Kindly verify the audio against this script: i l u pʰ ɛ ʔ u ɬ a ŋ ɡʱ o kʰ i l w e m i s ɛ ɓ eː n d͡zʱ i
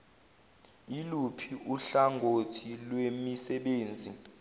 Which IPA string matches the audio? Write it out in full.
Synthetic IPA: i l u pʰ i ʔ u ɬ a ŋ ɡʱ o tʰ i l w e m i s ɛ ɓ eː n d͡zʱ i

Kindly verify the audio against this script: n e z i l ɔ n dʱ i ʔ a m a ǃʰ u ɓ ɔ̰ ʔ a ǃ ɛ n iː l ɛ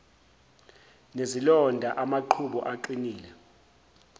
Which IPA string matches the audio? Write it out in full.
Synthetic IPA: n e z i l ɔ n dʱ a ʔ a m a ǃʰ u ɓ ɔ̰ ʔ a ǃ i n iː l ɛ

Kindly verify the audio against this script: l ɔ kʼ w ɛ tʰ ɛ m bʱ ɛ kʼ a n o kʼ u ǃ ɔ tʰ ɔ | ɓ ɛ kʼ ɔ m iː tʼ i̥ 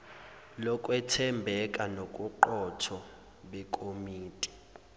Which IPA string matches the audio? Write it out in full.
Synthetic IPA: l ɔ kʼ w ɛ tʰ ɛ m bʱ ɛ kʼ a n o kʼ u ǃ ɔ tʰ ɔ | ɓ ɛ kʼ o m iː tʼ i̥

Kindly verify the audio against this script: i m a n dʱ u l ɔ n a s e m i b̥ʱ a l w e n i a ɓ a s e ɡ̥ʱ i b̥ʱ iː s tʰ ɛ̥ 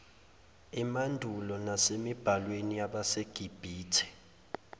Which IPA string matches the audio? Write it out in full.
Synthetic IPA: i m a n dʱ u l ɔ n a s e m i b̥ʱ a l w e n i a ɓ a s e ɡ̥ʱ i b̥ʱ iː tʰ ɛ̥

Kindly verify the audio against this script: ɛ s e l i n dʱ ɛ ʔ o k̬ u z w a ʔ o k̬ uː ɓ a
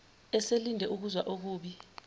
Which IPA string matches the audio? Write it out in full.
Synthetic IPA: ɛ s e l i n dʱ ɛ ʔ u k̬ u z w a ʔ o k̬ uː ɓ i

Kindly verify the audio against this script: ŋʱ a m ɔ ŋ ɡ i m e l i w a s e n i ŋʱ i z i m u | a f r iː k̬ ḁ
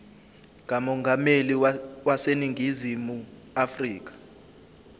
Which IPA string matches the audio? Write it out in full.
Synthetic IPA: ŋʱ a m ɔ ŋ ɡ a m e l i w a s e n i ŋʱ i z i m u | a f r iː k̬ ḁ

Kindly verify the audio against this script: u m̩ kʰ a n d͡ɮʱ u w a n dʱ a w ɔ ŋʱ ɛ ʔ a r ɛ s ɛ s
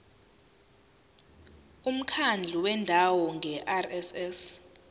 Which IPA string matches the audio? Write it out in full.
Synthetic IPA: u m̩ kʰ a n d͡ɮʱ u w ɛ n dʱ a w ɔ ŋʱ ɛ ʔ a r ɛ s ɛ s

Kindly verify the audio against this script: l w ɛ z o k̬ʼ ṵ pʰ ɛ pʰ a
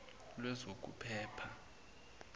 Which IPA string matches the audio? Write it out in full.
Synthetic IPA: l w ɛ z o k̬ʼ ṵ pʰ ɛː pʰ a

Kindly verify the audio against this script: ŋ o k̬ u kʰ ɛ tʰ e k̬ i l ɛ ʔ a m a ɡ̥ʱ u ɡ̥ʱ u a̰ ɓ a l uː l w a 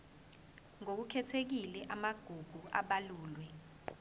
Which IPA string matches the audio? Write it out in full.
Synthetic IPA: ŋ o k̬ u kʰ ɛ tʰ e k̬ i l ɛ ʔ a m a ɡ̥ʱ u ɡ̥ʱ u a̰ ɓ a l uː l w ɛ

